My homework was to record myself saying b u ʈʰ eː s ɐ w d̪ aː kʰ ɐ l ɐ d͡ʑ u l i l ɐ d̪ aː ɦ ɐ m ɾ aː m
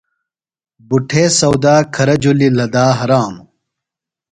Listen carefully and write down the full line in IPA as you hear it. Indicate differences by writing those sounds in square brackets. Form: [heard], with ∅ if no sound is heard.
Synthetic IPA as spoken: b u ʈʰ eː s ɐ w d̪ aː kʰ ɐ [ɾ] ɐ d͡ʑ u l i l ɐ d̪ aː ɦ ɐ [∅] ɾ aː m